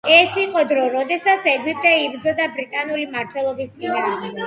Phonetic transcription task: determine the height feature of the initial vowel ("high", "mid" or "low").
mid